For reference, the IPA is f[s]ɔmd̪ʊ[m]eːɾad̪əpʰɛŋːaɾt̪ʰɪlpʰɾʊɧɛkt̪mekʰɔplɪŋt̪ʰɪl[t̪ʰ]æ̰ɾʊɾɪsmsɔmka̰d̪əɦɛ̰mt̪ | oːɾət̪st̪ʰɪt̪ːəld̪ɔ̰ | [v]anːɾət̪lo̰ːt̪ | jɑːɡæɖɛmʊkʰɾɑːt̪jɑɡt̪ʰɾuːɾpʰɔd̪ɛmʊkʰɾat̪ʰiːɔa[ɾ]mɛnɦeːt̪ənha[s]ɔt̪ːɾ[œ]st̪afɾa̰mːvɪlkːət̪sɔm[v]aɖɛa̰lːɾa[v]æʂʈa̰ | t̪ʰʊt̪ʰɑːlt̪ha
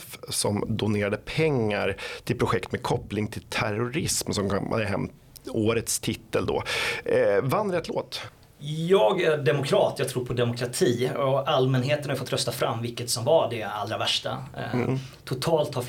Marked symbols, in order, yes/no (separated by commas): yes, no, yes, yes, no, no, yes, yes, yes